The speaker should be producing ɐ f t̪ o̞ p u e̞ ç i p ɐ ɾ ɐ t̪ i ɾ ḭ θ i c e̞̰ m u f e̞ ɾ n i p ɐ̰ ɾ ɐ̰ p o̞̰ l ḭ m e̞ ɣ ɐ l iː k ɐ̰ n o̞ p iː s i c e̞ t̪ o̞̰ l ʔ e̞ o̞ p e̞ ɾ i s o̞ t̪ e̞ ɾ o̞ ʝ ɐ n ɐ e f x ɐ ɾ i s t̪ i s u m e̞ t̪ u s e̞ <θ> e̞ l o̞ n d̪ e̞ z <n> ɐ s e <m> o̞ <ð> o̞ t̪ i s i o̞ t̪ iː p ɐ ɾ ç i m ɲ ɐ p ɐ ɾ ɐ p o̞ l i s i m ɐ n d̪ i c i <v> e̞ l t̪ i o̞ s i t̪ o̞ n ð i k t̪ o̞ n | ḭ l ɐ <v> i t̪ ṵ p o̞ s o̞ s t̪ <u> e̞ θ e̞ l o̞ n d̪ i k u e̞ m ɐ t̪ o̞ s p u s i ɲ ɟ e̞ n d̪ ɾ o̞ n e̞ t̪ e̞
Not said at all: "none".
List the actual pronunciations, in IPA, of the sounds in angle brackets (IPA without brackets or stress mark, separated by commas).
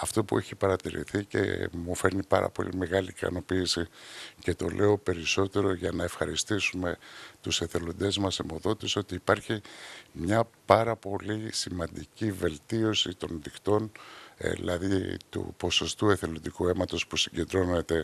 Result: θ, m, m, ð, v, ð, u